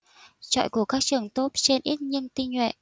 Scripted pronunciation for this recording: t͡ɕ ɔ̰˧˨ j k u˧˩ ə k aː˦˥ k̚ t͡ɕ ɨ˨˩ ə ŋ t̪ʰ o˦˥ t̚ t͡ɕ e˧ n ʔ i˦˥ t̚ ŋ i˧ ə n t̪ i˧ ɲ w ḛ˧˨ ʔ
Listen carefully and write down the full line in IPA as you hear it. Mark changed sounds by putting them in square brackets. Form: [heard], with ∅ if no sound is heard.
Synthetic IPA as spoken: t͡ɕ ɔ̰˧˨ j k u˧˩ ə k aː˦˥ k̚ t͡ɕ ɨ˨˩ ə ŋ [t̪] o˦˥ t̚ t͡ɕ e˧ n ʔ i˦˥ t̚ [ɲ] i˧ ə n t̪ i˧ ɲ w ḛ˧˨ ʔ

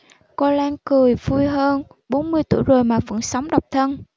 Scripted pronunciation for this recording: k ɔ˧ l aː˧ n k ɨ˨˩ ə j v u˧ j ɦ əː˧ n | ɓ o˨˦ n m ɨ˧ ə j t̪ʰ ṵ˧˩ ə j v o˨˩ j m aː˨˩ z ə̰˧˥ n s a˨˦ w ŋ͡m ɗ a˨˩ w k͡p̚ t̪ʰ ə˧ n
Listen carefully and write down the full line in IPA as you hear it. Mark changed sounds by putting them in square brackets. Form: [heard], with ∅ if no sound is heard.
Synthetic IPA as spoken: k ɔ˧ l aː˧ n k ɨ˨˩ ə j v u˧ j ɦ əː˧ n | ɓ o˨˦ n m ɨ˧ ə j [t̪] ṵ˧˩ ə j [z] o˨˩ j m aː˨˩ [v] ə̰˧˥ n s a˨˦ w ŋ͡m ɗ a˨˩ w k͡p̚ t̪ʰ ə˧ n

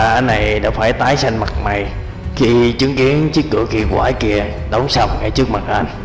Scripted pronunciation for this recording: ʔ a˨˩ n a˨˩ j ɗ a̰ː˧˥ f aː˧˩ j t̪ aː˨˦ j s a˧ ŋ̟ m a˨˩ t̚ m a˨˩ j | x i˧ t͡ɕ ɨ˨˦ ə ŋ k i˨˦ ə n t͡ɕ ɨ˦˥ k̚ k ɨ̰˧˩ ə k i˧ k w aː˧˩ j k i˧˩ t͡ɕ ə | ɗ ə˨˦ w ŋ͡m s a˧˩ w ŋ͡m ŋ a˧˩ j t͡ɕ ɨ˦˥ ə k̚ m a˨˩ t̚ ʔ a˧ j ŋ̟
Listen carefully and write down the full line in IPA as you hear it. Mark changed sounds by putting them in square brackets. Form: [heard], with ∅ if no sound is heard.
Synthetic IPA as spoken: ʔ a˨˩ n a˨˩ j ɗ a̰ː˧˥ f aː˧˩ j t̪ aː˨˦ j s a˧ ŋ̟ m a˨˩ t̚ m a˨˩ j | x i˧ t͡ɕ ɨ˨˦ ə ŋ k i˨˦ ə n t͡ɕ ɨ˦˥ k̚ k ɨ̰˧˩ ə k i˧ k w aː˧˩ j k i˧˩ [∅] ə | ɗ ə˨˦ w ŋ͡m s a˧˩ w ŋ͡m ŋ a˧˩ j t͡ɕ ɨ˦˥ ə k̚ m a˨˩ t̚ ʔ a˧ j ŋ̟

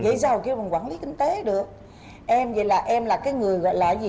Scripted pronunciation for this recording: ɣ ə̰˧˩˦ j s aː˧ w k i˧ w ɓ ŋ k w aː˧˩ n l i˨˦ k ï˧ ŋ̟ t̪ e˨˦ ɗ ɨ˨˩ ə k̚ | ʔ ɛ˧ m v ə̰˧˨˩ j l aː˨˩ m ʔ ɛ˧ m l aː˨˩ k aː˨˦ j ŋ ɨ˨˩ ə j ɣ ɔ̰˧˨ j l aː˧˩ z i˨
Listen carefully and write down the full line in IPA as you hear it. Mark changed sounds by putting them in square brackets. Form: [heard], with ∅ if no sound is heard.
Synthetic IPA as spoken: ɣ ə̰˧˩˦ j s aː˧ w k i˧ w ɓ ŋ k w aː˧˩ n l i˨˦ k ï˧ ŋ̟ t̪ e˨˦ ɗ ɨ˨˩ ə k̚ | ʔ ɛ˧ m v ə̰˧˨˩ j l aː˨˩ [∅] ʔ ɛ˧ m l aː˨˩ k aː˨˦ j ŋ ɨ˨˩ ə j ɣ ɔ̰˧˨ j l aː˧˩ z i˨

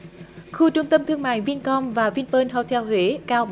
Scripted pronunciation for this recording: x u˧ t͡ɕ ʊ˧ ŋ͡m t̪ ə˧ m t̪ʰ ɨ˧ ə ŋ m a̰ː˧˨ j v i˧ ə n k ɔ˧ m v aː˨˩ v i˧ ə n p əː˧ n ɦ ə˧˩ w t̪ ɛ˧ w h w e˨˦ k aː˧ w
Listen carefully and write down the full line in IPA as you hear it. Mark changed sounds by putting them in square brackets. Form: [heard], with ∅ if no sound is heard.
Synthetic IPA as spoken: x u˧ t͡ɕ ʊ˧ ŋ͡m t̪ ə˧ m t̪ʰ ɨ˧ ə ŋ m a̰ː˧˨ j v i˧ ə n k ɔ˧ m v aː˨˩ v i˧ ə n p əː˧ n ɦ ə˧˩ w [t̪ʰ] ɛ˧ w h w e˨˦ k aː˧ w

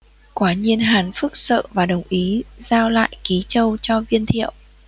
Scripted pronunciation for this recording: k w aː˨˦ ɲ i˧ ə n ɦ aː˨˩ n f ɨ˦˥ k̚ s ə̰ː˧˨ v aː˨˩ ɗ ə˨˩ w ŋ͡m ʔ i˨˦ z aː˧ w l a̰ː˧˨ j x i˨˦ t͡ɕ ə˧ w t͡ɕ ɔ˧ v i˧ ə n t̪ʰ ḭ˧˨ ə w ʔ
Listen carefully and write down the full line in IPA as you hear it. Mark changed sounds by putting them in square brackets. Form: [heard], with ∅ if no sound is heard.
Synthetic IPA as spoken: k w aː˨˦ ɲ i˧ ə n ɦ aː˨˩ n f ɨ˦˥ k̚ s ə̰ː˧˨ v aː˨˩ ɗ ə˨˩ w ŋ͡m ʔ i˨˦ z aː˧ w l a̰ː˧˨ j [k] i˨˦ t͡ɕ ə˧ w t͡ɕ ɔ˧ v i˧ ə n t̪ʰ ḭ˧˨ ə w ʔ

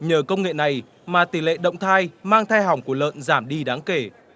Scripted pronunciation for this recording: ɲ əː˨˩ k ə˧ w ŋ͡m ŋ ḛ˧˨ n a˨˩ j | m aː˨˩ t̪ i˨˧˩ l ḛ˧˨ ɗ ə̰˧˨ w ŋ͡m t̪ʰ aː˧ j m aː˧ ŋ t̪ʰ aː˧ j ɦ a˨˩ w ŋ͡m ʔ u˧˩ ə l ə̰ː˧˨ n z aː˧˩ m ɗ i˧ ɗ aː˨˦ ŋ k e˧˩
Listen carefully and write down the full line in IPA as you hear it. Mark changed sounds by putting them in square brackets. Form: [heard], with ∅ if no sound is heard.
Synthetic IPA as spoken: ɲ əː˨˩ k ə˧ w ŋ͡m ŋ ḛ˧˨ n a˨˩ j | m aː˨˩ t̪ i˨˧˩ l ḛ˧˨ ɗ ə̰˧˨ w ŋ͡m t̪ʰ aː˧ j m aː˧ ŋ t̪ʰ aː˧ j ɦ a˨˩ w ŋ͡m [k] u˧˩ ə l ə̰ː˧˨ n z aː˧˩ m ɗ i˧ ɗ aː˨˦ ŋ k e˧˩

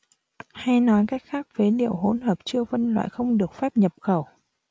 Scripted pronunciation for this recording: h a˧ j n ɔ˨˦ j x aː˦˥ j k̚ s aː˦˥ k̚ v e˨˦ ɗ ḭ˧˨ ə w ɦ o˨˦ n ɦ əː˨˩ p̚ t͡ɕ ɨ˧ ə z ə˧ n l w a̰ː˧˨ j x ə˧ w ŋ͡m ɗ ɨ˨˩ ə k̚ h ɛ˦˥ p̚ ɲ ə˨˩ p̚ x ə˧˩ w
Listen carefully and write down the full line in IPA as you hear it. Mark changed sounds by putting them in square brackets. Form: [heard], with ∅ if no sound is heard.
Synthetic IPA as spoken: h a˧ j n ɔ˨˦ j [k] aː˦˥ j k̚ [x] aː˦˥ k̚ v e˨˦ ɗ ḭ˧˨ ə w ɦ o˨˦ n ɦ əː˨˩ p̚ t͡ɕ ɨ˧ ə [v] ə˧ n l w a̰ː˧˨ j x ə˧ w ŋ͡m ɗ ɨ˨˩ ə k̚ [f] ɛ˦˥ p̚ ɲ ə˨˩ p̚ x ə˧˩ w

